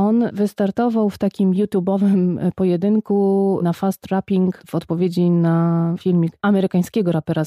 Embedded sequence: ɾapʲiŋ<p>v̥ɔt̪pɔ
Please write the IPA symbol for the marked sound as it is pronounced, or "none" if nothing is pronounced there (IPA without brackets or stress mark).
k